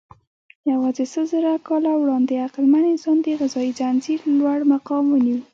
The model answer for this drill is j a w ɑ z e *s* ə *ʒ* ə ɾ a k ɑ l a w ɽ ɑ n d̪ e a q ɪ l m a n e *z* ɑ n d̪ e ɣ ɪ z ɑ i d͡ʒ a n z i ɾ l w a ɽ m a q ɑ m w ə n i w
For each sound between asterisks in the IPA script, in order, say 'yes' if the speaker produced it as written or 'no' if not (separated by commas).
yes, no, yes